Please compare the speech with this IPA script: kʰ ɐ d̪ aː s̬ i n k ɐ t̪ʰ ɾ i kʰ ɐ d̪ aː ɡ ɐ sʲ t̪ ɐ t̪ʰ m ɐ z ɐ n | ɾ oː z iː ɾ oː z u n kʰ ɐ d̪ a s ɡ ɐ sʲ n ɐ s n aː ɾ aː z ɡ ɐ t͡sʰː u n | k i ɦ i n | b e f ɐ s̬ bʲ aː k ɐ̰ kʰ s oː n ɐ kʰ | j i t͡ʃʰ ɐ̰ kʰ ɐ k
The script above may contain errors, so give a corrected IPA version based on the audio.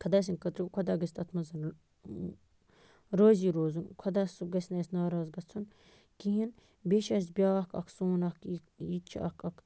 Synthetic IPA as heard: kʰ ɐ d̪ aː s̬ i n k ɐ t̪ ɾ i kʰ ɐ d̪ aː ɡ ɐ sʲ t̪ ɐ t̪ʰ m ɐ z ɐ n | ɾ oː z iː ɾ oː z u n kʰ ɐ d̪ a s ɡ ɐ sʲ n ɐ s n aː ɾ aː z ɡ ɐ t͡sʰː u n | k i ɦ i n | b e ʃ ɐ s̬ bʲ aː k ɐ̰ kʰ s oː n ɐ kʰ | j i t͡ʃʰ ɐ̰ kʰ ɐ k